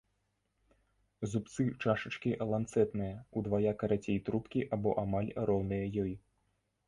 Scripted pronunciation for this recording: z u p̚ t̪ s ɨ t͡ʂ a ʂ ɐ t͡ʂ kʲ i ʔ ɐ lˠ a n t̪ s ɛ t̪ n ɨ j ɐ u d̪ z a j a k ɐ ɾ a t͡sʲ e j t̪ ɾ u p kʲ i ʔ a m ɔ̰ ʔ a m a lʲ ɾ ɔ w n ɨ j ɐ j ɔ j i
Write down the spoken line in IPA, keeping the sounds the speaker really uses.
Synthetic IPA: z u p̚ t̪ s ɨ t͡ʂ a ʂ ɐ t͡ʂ kʲ i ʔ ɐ lˠ a n t̪ s ɛ t̪ n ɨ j ɐ u d̪ v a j a k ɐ ɾ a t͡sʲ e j t̪ ɾ u p kʲ i ʔ a b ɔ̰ ʔ a m a lʲ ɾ ɔ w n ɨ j ɐ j ɔ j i